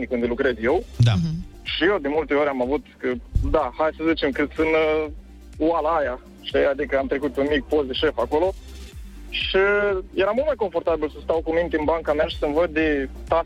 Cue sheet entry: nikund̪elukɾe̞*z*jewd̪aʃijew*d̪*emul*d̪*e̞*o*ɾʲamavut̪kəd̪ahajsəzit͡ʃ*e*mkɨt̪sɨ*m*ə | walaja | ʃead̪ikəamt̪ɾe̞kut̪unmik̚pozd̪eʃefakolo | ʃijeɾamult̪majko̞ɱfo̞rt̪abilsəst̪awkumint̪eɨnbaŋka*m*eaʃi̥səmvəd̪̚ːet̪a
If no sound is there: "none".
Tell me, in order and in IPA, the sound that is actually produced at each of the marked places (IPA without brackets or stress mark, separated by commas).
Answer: z, d̪, t̪, o, e, n, m